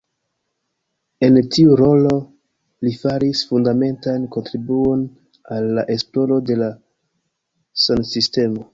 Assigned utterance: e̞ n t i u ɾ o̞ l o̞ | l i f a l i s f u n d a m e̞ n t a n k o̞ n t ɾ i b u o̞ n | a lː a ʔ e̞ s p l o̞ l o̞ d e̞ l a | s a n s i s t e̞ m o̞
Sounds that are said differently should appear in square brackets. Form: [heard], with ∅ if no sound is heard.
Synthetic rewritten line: e̞ n t i u ɾ o̞ l o̞ | l i f a [ɾ] i s f u n d a m e̞ n t a n k o̞ n t ɾ i b u o̞ n | a lː a ʔ e̞ s p l o̞ l o̞ d e̞ l a | s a n s i s t e̞ m o̞